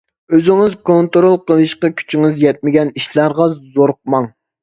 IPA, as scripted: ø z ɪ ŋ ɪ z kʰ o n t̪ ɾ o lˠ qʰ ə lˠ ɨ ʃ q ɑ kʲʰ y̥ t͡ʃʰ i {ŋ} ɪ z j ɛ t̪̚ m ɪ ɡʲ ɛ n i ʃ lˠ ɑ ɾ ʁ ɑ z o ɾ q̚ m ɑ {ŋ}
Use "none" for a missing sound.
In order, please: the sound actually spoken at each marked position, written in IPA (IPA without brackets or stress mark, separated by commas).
ŋ, ŋ